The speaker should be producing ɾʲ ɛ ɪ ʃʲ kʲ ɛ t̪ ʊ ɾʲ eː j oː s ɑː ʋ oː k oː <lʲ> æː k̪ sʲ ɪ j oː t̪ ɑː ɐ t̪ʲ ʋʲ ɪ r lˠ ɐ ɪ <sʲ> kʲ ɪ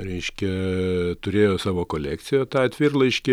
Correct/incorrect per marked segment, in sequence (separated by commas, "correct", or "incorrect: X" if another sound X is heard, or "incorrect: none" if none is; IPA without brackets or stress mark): correct, incorrect: ʃʲ